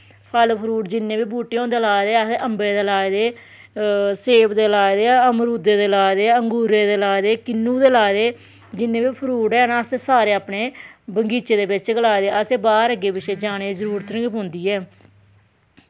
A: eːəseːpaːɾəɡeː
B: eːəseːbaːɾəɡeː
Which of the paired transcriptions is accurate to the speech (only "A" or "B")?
B